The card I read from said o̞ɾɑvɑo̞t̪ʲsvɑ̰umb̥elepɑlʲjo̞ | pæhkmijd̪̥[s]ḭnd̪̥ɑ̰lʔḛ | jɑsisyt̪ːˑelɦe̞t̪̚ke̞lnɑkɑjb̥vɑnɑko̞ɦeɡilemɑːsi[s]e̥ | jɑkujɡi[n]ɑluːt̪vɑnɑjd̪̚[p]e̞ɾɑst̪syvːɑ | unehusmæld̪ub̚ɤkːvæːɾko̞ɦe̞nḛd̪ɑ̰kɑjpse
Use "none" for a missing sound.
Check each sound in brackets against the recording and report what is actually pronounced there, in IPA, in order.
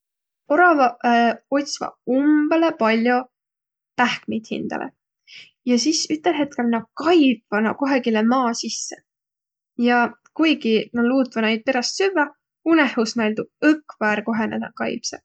h, sː, n, p

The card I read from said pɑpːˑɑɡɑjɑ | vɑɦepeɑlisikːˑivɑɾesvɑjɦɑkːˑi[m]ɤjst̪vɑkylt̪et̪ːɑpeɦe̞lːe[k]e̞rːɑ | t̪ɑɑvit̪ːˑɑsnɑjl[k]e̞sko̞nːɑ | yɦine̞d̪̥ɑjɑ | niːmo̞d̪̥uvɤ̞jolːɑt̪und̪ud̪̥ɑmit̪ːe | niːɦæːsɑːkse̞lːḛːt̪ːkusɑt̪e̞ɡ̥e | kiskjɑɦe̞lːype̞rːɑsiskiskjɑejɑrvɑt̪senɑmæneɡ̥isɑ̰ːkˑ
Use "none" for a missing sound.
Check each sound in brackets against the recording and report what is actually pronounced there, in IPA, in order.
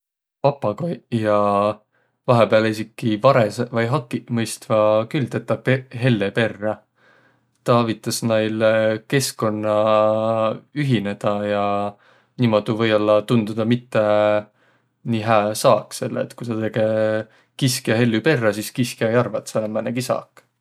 m, p, k

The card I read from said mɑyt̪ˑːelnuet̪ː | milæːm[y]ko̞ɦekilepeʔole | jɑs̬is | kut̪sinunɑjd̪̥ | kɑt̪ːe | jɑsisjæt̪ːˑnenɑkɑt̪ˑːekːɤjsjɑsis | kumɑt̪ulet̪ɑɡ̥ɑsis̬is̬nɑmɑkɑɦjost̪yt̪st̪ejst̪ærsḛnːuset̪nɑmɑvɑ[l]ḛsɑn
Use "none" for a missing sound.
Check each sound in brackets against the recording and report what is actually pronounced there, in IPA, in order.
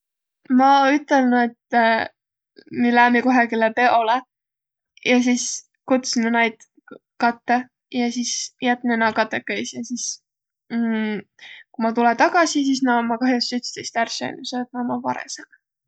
i, ɾ

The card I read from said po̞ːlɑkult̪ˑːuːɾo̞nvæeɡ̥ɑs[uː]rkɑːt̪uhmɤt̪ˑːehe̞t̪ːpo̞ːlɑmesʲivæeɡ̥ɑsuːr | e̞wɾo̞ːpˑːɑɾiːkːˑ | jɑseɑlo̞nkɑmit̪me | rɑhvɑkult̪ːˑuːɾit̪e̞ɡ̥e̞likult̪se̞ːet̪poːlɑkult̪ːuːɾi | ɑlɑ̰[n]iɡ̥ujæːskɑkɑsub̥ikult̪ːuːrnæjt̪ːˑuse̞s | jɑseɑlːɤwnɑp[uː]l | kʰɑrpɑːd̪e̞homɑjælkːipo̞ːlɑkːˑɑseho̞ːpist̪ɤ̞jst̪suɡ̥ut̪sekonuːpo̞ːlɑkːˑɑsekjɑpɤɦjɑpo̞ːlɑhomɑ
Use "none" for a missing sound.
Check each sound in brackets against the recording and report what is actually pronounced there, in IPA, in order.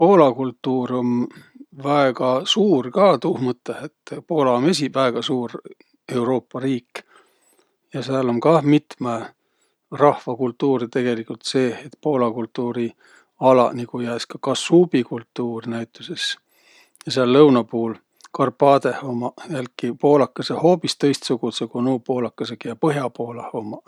uː, n, uː

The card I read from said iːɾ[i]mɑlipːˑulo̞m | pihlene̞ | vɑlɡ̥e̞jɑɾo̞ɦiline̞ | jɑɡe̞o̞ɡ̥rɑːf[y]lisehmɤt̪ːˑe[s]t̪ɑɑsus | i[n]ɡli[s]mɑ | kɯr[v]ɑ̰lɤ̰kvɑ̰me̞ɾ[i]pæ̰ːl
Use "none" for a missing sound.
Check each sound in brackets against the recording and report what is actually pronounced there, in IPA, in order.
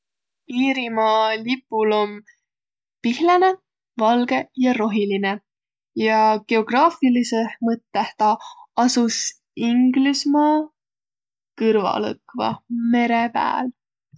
i, i, h, ŋ, s, v, e

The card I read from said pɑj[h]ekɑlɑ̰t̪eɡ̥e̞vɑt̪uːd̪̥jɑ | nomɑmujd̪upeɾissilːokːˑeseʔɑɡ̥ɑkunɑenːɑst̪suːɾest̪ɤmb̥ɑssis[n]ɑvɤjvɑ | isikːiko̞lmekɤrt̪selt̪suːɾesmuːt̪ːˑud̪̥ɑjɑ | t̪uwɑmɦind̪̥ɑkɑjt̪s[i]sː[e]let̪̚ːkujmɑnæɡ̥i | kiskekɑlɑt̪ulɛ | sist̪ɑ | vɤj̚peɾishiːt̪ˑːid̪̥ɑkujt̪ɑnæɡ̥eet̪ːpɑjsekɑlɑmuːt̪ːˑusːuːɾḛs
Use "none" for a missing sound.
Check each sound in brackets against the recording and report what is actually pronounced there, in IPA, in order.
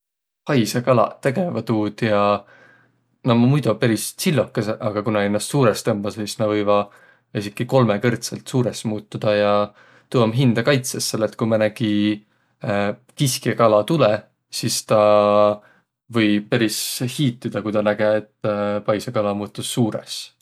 s, n, e, e

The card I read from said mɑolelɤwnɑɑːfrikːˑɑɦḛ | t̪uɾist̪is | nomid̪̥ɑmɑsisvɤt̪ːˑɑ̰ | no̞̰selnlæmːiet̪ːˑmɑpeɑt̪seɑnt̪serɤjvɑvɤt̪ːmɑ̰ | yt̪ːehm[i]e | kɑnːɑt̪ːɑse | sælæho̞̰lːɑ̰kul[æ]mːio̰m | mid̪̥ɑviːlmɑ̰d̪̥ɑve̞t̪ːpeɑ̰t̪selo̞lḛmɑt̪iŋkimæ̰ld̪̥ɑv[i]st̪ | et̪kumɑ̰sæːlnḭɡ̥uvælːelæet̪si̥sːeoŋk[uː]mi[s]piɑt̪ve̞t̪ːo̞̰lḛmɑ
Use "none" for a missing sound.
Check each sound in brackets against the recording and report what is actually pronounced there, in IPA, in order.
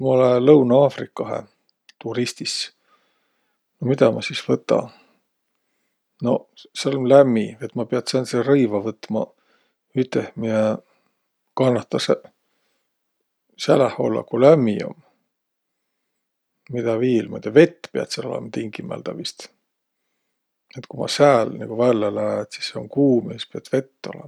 i, æ, i, uː, s

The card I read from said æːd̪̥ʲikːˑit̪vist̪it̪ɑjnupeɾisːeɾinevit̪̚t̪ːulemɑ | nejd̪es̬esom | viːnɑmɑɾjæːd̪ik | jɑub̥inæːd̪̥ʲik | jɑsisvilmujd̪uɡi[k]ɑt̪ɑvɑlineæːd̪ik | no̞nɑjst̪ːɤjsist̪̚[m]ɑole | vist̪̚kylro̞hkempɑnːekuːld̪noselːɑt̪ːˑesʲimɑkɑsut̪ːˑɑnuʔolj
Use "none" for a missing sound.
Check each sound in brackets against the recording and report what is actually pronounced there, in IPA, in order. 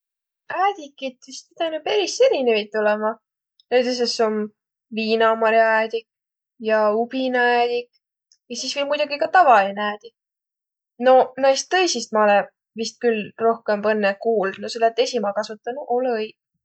k, m

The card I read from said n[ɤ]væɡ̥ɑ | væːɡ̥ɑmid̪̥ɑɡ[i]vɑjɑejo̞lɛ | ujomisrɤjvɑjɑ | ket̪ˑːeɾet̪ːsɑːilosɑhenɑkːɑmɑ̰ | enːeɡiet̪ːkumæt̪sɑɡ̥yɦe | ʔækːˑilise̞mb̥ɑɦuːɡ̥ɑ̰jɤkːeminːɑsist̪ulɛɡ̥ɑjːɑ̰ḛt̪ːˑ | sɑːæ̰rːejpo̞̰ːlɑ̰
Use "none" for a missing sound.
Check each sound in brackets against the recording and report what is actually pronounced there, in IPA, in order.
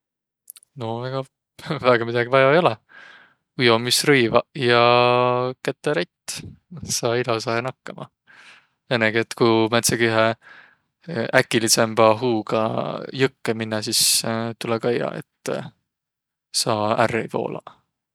o, i

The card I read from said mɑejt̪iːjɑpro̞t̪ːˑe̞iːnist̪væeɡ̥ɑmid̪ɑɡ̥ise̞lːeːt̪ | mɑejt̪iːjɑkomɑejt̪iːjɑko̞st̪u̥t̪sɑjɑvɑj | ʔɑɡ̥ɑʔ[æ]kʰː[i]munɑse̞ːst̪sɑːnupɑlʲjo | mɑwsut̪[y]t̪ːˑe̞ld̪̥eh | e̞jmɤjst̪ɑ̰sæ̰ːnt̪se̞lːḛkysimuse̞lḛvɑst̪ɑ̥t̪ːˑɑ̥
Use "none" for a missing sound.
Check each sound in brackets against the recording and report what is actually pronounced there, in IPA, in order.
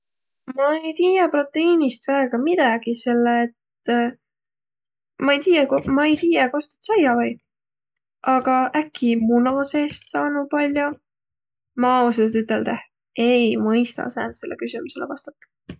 æ, i, y

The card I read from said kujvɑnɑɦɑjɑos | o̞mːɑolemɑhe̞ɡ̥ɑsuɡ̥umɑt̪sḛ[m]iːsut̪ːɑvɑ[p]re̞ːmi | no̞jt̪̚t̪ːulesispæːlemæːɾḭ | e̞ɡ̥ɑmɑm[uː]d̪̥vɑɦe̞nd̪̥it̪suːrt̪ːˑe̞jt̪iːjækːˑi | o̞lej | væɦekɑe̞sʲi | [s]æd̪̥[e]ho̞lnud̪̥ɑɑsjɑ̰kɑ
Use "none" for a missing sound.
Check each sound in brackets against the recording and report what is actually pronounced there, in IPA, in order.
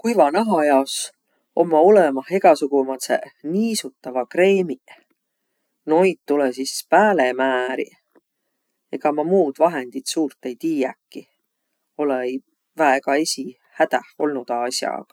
n, k, uː, h, æ

